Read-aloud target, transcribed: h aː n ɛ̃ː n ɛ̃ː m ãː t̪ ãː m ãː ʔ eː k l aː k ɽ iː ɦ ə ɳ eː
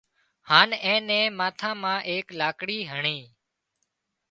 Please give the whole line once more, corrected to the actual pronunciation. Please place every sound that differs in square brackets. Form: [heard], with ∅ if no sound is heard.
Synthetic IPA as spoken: h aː n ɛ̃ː n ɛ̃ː m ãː [t̪ʰ] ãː m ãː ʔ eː k l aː k ɽ iː ɦ ə ɳ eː